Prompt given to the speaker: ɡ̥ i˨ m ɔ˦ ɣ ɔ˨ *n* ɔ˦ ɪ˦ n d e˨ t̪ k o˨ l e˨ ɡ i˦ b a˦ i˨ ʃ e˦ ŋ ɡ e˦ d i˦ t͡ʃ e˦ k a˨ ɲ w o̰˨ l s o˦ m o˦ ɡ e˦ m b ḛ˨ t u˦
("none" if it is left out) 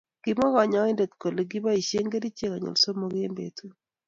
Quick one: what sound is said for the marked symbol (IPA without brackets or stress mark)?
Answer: ɲ